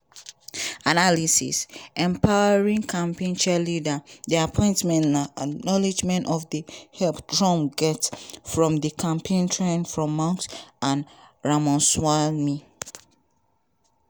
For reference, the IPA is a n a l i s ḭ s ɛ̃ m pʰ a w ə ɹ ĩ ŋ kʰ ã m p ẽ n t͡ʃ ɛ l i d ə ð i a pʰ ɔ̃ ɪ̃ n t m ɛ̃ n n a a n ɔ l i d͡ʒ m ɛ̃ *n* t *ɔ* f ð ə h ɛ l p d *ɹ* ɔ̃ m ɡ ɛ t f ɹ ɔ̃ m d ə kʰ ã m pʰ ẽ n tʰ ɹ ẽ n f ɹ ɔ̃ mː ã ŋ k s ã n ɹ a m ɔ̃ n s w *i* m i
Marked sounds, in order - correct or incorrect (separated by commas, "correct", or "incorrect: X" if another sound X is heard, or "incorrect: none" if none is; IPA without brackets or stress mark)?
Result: correct, correct, correct, incorrect: a